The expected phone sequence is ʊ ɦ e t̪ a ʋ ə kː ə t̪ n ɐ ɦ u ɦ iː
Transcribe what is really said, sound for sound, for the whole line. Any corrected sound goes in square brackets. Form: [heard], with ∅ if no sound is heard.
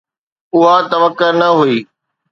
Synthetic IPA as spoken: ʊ ɦ [a] t̪ [ɐ] ʋ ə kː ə [∅] n ɐ ɦ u [∅] iː